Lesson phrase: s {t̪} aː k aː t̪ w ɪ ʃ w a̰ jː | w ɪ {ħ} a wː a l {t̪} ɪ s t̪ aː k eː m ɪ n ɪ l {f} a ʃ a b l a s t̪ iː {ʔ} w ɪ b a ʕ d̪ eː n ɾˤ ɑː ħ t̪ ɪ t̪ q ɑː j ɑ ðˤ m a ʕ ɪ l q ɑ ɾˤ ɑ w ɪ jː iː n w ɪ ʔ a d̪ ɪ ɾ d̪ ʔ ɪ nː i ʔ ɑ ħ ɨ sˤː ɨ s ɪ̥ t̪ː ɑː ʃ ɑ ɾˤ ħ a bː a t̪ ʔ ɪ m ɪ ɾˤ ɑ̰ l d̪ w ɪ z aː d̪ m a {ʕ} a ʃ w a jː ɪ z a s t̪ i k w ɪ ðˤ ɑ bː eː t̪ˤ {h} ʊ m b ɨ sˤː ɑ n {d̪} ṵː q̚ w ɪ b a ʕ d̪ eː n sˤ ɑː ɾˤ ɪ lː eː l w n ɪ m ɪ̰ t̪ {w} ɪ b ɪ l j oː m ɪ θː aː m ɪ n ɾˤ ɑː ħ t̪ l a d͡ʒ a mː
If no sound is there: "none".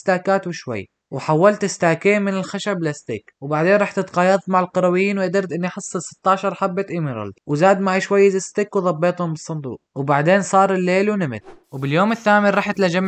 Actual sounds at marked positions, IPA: t̪, ħ, t̪, x, k, ʕ, h, d̪, w

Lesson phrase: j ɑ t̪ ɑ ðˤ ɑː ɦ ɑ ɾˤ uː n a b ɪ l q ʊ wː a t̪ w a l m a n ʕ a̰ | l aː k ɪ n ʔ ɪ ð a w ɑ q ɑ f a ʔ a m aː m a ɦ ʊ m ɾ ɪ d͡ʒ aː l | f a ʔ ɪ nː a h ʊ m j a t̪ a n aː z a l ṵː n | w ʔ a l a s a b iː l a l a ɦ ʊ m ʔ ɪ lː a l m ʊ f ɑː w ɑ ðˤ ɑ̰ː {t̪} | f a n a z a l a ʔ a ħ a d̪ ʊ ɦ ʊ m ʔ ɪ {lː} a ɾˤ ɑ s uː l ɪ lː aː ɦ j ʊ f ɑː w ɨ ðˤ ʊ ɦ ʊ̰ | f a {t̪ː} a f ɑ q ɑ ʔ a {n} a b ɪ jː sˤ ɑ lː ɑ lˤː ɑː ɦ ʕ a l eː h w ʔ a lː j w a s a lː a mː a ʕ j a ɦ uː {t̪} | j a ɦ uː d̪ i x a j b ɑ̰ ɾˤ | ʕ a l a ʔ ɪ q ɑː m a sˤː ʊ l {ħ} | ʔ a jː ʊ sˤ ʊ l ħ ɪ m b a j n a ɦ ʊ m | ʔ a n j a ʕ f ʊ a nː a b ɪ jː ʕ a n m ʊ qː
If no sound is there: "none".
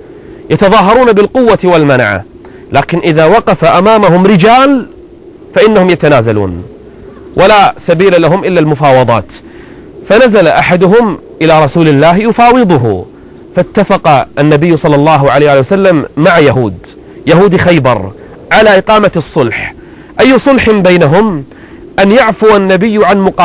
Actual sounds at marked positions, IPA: t̪, l, t̪ː, nː, d̪, ħ

